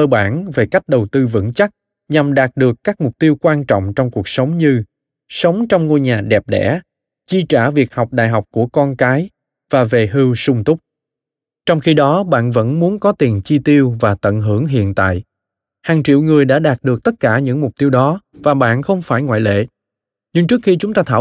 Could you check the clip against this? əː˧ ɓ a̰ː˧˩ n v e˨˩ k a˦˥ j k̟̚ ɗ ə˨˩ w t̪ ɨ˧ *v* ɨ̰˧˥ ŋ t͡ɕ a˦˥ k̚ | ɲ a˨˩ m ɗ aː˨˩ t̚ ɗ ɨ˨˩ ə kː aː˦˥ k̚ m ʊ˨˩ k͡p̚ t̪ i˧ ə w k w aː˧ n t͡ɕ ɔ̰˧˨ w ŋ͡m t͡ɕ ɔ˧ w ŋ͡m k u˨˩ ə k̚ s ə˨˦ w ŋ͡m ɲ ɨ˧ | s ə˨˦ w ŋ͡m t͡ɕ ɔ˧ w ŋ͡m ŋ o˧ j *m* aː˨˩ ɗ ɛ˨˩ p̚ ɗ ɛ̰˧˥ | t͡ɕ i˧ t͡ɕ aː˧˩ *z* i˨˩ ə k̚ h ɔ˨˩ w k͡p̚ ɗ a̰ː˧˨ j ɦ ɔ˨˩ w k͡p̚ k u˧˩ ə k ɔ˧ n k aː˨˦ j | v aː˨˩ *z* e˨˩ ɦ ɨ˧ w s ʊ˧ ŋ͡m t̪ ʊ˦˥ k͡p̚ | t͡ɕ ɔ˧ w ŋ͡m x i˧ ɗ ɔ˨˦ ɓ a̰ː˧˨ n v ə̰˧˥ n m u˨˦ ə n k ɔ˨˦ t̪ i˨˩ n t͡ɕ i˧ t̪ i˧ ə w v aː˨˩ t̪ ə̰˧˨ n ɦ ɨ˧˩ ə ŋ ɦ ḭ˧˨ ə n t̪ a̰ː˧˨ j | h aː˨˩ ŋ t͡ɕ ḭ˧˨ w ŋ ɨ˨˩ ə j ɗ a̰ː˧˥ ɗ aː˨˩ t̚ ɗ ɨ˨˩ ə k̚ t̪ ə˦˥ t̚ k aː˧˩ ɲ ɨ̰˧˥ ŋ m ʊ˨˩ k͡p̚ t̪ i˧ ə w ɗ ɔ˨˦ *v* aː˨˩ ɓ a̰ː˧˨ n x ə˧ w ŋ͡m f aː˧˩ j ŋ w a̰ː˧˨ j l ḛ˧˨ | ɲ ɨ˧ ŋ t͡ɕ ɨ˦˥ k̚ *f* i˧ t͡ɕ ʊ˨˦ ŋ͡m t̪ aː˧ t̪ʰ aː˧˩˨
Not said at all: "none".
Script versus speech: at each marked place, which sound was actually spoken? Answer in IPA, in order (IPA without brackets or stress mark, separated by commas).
v, ɲ, v, v, v, x